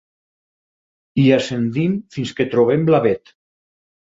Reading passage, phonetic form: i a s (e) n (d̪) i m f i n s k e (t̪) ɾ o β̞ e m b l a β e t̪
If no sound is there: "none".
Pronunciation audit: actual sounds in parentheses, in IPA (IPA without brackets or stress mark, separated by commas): e, d̪, t̪